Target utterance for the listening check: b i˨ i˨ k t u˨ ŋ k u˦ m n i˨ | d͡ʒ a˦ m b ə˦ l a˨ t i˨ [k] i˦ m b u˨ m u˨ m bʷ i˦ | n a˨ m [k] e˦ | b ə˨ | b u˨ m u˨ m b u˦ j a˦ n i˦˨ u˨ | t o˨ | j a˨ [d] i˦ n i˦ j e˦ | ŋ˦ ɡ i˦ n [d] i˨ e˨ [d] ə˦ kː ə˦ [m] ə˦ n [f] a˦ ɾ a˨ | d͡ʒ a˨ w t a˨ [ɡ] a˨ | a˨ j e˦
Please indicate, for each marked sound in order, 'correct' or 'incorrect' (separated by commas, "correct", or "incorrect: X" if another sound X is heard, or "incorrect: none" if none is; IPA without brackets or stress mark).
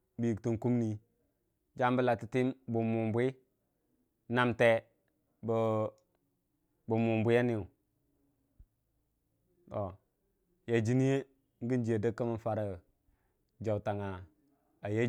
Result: incorrect: t, incorrect: t, incorrect: d͡ʒ, incorrect: d͡ʒ, correct, correct, correct, incorrect: ŋ